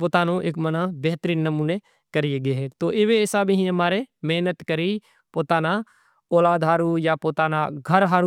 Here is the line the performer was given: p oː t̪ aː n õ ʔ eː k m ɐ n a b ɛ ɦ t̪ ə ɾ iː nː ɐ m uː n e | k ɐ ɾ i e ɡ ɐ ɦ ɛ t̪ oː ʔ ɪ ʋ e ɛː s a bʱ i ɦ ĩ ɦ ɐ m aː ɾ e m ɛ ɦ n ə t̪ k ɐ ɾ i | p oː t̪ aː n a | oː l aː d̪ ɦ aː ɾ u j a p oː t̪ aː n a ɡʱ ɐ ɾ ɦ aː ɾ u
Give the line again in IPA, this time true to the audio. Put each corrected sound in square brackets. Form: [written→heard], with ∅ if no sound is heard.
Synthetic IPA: p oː t̪ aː n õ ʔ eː k m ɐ n a b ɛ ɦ t̪ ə ɾ iː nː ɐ m uː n e | k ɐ ɾ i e ɡ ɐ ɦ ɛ t̪ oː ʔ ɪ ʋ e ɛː s a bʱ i ɦ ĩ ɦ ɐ m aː ɾ e m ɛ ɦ n ə t̪ k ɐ ɾ i | p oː t̪ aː n a | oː l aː d̪ ɦ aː ɾ u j a p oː t̪ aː n a ɡʱ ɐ ɾ ɦ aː ɾ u